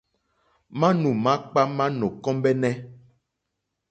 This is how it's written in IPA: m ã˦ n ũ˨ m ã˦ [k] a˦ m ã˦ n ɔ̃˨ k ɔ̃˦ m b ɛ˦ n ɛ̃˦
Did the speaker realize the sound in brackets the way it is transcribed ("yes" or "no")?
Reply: no